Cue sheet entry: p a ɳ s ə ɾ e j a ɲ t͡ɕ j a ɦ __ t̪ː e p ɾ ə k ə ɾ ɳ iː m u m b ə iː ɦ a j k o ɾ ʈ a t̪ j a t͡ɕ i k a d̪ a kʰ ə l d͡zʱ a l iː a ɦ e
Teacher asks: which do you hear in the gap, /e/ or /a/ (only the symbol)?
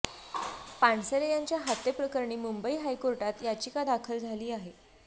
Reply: a